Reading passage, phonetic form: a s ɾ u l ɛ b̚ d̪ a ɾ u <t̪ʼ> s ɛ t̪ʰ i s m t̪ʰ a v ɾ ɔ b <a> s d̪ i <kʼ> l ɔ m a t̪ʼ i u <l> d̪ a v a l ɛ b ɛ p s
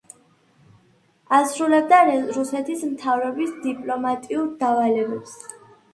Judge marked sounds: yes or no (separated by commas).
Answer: no, no, no, no